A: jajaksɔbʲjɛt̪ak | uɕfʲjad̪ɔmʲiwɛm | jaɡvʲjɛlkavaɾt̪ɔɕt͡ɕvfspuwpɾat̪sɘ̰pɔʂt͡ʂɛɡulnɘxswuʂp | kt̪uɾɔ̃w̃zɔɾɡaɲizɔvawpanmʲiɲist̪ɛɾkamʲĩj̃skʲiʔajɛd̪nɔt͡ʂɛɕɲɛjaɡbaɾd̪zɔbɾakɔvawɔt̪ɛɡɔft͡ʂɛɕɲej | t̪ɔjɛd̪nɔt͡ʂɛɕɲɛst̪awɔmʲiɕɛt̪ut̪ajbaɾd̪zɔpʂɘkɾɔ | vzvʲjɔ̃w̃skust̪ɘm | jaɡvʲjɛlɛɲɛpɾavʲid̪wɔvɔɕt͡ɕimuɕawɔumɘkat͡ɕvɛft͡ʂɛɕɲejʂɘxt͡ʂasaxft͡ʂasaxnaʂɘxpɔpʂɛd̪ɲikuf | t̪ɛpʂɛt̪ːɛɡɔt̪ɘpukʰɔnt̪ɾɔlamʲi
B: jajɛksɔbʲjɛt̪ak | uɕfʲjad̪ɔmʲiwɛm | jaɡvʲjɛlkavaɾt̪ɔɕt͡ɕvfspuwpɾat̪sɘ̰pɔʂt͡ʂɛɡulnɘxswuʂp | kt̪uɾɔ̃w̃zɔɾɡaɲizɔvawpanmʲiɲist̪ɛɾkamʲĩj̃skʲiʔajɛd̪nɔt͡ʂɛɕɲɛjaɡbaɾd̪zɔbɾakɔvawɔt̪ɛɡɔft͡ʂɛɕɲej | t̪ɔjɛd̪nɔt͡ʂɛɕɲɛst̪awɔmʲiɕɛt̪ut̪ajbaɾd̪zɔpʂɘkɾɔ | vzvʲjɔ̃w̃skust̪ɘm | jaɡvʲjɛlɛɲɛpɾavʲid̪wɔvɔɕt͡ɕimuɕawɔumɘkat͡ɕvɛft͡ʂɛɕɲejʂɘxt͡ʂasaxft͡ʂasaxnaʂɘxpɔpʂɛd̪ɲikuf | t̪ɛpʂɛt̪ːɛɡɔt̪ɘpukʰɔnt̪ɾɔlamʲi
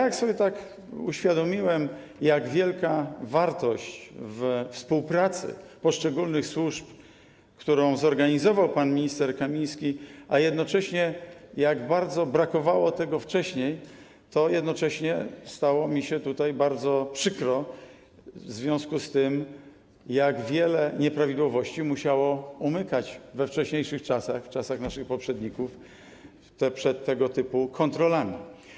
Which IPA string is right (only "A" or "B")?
A